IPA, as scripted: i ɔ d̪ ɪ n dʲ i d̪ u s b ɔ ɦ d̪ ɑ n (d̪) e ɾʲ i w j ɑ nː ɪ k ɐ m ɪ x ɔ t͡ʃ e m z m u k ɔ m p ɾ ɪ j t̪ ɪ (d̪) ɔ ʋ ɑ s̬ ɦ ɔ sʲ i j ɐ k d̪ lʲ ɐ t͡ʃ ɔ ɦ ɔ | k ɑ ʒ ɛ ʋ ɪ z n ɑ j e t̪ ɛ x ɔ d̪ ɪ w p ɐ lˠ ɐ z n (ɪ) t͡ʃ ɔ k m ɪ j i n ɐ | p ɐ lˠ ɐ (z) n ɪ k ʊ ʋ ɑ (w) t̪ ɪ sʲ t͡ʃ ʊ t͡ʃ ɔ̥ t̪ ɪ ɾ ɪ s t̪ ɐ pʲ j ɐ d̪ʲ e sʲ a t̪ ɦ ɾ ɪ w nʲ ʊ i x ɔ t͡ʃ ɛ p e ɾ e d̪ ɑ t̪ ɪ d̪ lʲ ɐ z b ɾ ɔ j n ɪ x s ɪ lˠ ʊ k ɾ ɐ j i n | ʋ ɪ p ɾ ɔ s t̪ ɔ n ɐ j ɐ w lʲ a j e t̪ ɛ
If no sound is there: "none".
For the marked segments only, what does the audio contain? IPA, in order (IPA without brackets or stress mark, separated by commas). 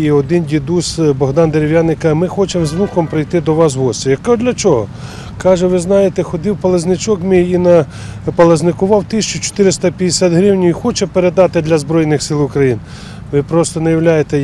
d̪, d̪, ɪ, z, w